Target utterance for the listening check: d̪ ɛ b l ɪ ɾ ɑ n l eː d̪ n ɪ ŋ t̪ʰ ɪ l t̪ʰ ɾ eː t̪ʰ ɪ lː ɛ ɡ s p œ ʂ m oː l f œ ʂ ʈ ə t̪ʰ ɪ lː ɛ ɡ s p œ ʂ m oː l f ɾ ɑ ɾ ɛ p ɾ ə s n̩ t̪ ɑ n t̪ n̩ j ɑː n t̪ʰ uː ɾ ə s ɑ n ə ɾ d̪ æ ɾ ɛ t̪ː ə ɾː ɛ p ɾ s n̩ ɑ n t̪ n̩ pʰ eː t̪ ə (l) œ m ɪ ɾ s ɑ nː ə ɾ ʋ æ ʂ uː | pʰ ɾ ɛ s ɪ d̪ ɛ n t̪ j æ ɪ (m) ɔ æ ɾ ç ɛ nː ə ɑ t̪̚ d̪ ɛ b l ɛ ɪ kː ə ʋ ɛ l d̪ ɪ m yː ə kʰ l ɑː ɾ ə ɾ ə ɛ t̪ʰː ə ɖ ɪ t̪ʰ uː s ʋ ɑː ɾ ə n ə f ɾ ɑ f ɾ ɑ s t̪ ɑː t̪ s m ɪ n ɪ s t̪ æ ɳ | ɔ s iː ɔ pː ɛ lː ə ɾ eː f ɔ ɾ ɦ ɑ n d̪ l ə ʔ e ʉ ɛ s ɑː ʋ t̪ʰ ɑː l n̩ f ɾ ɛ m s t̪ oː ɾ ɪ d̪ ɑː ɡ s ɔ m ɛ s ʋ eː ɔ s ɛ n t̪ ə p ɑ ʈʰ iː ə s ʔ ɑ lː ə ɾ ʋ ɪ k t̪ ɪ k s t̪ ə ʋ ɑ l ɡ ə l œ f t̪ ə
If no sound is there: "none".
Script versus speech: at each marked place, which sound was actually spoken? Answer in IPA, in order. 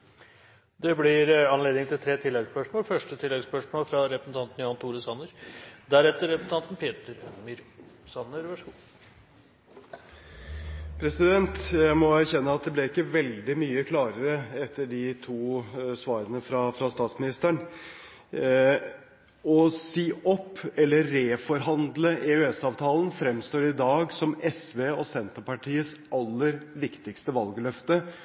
ɾ, m

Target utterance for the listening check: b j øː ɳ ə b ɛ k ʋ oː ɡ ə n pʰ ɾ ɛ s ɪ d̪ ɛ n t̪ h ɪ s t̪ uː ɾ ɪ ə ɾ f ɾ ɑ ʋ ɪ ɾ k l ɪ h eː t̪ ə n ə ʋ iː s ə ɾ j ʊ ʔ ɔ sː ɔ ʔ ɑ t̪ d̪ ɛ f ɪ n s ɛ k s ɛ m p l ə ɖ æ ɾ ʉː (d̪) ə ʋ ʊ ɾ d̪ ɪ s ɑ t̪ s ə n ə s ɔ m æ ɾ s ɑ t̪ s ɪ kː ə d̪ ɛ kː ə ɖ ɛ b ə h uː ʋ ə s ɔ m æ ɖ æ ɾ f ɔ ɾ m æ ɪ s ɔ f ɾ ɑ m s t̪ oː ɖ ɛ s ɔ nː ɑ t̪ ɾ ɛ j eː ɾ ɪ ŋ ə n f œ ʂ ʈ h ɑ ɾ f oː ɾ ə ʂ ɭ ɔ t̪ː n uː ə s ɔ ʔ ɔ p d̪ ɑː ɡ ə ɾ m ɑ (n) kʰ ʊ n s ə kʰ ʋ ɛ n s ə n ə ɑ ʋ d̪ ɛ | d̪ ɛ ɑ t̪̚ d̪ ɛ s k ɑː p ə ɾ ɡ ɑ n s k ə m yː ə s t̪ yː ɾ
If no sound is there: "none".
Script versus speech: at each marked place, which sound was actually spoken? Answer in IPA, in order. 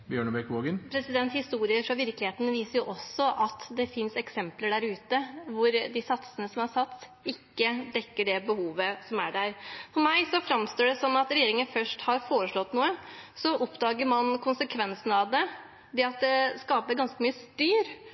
t̪, n

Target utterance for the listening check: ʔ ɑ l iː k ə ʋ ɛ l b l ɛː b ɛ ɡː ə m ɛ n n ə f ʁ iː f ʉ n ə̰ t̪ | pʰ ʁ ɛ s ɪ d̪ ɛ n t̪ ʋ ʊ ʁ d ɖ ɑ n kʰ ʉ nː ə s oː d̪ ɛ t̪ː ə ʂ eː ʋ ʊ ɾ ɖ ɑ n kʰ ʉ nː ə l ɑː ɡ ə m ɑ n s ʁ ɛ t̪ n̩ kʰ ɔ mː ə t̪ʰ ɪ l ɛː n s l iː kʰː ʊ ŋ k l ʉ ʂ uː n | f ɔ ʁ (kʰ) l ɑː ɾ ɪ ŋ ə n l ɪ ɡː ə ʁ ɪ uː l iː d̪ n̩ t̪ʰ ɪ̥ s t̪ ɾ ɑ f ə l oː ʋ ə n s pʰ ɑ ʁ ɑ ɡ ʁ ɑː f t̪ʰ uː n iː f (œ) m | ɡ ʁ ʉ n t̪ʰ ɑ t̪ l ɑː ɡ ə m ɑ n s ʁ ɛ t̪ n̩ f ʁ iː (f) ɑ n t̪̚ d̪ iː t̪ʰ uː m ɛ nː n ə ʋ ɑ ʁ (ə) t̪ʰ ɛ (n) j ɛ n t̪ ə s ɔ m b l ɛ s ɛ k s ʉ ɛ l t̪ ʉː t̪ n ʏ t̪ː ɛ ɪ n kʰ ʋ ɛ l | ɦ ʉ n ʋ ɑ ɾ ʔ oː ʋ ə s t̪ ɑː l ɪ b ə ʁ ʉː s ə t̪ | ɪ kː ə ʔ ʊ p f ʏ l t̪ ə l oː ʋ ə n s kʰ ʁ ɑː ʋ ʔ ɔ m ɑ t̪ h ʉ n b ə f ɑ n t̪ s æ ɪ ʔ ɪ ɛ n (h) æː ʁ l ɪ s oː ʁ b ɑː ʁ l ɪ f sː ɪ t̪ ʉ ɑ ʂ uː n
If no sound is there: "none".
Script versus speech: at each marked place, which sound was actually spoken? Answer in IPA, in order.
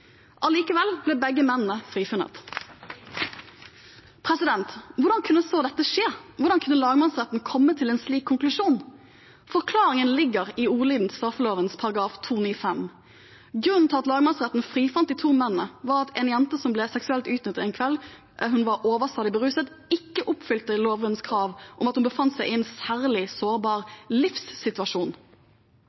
kʰ, ɛ, f, ɑ, n, s

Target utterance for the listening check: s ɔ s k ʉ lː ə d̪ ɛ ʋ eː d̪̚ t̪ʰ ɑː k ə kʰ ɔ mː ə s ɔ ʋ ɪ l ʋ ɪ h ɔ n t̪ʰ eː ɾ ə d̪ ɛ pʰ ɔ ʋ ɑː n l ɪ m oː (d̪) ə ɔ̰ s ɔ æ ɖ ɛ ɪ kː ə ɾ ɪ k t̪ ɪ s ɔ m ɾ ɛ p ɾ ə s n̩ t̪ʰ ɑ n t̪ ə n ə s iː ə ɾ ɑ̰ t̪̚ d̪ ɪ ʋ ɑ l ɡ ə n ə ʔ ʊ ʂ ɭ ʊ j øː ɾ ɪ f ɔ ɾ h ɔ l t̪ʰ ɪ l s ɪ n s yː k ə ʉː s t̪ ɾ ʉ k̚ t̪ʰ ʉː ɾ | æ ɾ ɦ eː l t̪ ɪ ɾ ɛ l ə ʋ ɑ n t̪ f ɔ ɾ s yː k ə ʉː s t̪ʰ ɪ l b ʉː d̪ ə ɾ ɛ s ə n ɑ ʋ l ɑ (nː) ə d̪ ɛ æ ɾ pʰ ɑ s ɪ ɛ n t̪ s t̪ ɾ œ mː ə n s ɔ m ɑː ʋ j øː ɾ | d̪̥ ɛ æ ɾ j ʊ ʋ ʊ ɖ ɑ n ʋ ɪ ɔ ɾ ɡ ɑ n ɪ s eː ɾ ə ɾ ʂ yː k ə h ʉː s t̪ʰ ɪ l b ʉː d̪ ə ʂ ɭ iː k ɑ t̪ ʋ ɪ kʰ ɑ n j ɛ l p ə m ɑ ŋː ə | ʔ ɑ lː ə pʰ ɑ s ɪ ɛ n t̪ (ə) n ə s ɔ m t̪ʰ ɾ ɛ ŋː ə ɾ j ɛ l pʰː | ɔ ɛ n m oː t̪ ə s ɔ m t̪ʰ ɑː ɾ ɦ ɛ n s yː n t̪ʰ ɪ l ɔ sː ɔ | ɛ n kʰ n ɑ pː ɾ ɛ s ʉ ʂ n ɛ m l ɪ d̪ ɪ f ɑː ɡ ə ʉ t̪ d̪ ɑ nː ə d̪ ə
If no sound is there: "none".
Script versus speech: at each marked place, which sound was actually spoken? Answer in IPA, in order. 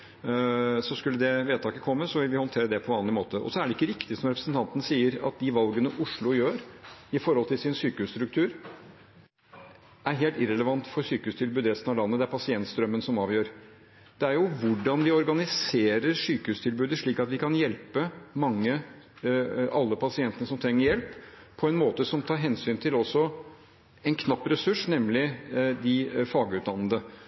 t̪, nː, ə

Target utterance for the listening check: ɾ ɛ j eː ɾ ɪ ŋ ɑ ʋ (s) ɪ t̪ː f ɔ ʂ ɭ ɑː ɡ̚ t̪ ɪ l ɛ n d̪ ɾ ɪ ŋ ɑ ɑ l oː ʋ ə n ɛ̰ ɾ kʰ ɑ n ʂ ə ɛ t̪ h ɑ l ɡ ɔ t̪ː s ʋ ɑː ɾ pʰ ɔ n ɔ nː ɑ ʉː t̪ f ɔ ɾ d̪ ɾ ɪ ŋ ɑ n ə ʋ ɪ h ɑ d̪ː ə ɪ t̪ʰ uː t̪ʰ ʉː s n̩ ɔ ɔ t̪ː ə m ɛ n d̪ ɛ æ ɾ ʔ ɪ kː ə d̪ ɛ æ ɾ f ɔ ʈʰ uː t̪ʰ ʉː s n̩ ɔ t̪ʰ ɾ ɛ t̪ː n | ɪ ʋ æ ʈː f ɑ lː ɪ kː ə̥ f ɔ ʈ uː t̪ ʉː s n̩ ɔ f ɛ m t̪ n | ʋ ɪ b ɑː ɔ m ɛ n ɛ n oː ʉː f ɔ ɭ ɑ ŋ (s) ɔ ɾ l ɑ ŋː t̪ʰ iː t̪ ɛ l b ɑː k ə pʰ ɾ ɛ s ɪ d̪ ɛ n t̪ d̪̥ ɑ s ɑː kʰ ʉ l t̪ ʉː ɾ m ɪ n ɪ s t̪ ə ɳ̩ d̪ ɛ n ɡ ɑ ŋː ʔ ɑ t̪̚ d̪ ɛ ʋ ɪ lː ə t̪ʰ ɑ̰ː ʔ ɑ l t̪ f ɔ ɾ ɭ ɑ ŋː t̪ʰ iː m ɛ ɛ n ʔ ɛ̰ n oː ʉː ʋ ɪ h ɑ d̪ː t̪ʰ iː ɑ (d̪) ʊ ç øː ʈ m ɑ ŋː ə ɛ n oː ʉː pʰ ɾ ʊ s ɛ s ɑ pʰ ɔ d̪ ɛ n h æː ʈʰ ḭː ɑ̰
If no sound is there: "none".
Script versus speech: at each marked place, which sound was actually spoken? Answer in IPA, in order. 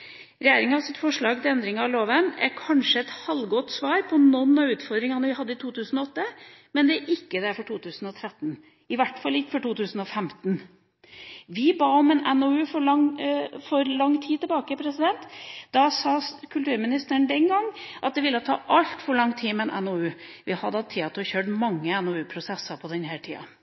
s, f, t̪

